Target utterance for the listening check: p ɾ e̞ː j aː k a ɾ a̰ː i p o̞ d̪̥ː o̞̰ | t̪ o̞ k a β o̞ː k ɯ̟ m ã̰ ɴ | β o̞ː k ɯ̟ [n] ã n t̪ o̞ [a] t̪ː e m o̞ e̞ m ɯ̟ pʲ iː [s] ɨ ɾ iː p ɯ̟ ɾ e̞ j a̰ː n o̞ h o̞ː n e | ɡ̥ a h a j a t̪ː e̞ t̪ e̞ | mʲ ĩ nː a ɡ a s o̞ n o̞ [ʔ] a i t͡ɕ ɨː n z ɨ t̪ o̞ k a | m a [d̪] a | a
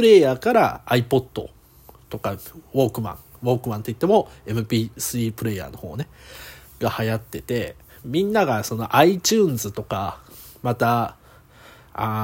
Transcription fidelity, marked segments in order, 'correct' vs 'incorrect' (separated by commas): incorrect, incorrect, correct, correct, incorrect